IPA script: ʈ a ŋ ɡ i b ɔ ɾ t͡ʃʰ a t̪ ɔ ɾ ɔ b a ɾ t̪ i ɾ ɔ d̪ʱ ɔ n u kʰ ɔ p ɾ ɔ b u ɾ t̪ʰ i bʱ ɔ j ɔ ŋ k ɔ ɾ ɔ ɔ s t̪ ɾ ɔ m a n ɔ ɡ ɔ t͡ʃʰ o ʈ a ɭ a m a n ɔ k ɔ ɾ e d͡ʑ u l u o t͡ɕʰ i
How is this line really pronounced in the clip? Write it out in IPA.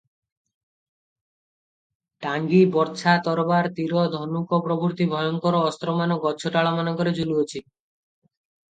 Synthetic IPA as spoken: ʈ a ŋ ɡ i b ɔ ɾ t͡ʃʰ a t̪ ɔ ɾ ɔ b a ɾ t̪ i ɾ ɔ d̪ʱ ɔ n u k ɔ p ɾ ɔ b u ɾ t̪ i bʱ ɔ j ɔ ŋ k ɔ ɾ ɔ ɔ s t̪ ɾ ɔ m a n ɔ ɡ ɔ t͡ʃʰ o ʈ a ɭ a m a n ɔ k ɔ ɾ e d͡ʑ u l u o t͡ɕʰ i